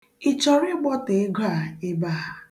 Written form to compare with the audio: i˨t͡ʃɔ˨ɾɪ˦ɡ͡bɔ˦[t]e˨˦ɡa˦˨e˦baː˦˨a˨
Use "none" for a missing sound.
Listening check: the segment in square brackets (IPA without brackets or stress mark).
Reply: t